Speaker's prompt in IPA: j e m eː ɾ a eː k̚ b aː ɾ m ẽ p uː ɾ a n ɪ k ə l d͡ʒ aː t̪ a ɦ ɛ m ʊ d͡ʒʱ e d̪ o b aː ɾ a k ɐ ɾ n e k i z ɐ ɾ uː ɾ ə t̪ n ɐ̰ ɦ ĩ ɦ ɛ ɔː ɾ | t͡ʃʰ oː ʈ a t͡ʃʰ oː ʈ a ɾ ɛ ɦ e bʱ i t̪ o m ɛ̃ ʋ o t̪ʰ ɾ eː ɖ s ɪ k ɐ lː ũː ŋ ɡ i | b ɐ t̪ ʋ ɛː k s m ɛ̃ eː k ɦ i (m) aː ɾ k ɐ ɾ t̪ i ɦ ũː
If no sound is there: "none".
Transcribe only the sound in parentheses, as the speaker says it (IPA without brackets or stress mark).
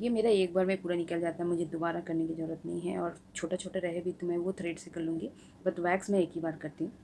b